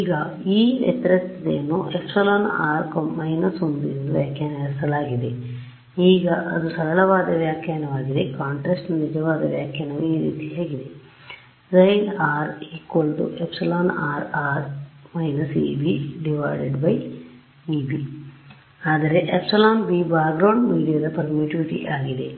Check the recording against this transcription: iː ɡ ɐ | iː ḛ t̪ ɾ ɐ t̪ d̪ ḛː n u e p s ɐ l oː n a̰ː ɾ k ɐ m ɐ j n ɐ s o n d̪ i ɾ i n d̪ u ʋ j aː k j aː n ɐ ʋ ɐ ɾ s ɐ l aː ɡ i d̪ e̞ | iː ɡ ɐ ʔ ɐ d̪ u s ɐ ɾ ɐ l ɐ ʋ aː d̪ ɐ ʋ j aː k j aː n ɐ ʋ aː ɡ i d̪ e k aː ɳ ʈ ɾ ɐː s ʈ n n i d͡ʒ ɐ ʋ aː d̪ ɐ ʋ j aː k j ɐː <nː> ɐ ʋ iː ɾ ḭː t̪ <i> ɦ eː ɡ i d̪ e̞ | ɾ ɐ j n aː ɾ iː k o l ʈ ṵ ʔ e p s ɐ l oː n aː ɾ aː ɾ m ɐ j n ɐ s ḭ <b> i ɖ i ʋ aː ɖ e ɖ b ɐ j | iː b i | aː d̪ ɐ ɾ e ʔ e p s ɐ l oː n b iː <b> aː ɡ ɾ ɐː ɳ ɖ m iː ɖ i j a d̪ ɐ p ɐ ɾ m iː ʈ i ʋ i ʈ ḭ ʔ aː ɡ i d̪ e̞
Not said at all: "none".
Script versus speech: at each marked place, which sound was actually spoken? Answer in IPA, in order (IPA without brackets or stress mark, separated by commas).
n, i, b, b